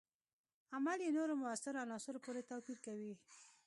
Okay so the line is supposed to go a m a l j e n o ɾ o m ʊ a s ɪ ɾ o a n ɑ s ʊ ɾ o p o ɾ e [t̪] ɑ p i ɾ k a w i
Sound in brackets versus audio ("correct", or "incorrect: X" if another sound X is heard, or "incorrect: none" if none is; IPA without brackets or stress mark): correct